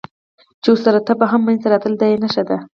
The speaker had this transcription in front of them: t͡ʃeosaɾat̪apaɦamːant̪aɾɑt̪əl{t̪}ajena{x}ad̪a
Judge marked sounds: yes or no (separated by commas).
no, no